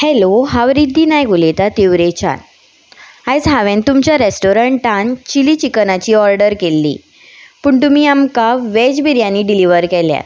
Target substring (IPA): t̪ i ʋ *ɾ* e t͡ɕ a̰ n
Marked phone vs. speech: correct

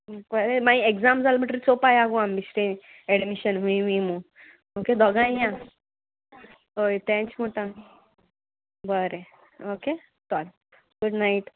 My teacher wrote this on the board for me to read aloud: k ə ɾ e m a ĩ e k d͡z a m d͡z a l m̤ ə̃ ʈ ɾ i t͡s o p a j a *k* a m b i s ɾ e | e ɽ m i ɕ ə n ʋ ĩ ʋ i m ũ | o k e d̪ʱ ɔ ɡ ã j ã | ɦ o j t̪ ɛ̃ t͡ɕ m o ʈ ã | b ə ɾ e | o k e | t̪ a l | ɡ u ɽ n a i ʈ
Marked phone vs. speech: incorrect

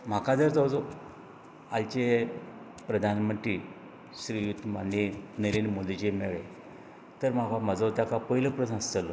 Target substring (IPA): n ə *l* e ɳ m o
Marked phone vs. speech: incorrect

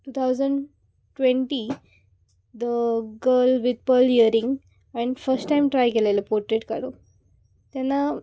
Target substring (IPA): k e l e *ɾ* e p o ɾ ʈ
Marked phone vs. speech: incorrect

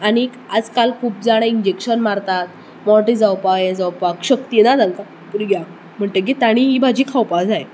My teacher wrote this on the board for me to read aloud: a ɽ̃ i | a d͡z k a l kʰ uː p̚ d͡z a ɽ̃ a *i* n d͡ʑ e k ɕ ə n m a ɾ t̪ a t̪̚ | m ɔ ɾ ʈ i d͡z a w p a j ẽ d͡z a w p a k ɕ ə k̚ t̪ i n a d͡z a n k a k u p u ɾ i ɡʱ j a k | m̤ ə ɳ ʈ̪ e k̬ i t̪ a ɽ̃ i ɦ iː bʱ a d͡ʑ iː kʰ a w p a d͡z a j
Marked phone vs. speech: correct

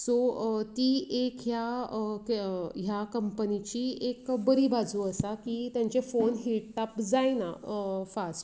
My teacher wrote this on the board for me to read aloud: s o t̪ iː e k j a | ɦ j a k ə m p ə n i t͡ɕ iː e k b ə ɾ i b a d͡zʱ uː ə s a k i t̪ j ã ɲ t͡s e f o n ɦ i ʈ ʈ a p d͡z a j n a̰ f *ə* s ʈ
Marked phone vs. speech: incorrect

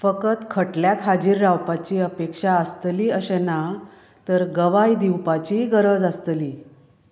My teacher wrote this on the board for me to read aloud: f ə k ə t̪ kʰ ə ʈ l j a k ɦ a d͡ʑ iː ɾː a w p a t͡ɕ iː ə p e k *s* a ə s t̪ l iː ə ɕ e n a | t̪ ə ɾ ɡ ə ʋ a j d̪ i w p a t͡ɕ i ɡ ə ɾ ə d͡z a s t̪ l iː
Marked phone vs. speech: incorrect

